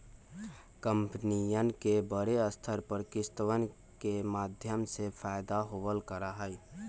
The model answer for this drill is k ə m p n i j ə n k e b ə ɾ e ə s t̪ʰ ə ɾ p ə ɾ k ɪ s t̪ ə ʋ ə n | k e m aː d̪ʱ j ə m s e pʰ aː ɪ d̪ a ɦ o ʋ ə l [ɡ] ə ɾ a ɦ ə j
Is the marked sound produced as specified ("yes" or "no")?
no